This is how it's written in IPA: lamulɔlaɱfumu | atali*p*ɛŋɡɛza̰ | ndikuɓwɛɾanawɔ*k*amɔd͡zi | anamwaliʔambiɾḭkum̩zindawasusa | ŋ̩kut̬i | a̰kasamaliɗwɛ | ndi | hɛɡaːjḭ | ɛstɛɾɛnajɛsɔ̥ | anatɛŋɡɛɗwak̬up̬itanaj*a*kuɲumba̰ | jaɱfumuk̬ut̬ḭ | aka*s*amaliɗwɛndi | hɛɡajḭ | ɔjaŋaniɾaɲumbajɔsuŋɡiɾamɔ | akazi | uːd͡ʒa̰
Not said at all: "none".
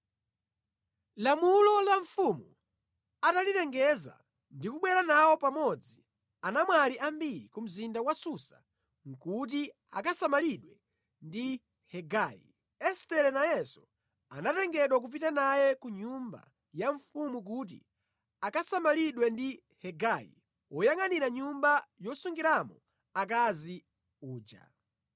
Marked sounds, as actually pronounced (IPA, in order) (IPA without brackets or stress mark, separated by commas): t, p, ɛ, s